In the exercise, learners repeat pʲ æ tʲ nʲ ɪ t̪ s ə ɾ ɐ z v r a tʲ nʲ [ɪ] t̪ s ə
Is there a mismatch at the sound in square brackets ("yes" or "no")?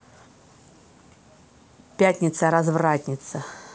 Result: no